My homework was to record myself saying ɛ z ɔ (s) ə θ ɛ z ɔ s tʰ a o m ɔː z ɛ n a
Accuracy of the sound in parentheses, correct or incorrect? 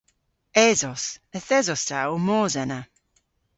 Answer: correct